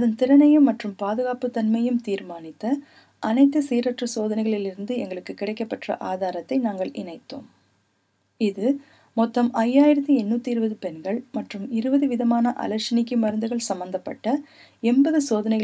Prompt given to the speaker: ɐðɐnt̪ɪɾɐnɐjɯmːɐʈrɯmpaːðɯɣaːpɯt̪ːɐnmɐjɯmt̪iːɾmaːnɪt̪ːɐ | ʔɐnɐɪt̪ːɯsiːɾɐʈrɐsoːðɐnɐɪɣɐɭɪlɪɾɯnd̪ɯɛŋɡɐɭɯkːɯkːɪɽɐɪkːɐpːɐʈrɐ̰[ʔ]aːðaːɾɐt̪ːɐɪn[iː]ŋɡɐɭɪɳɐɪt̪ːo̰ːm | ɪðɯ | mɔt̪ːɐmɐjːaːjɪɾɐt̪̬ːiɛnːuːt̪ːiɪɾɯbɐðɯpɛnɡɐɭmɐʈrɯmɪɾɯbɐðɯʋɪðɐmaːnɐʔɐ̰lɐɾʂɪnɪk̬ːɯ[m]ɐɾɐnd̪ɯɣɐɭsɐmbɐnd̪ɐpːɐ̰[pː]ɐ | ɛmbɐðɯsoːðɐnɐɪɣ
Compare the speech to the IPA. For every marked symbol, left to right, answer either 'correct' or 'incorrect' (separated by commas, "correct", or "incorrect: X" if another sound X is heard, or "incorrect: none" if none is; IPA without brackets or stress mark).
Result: correct, incorrect: aː, correct, incorrect: ʈː